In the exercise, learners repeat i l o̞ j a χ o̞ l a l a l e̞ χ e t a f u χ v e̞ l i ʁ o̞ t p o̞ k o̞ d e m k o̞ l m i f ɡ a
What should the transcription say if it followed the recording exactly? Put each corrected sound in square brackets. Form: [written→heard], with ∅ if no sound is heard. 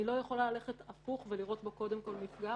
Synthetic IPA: i l o̞ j [a→e] χ o̞ l a l a l e̞ χ e t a f u χ v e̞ l i ʁ o̞ t [p→b] o̞ k o̞ d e m k o̞ l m i f ɡ a